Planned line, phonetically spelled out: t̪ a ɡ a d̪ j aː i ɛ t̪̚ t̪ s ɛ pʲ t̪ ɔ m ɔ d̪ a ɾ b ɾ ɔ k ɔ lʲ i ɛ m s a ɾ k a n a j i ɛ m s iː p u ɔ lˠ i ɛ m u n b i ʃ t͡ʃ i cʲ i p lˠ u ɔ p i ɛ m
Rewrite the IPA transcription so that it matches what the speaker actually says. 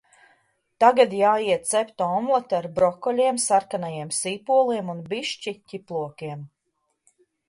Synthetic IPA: t̪ a ɡ a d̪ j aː i ɛ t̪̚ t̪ s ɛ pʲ t̪ ɔ m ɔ t̪ a ɾ b ɾ ɔ k ɔ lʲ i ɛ m s a ɾ k a n a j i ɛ m s iː p u ɔ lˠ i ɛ m u n b i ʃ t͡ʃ i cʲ i p lˠ u ɔ k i ɛ m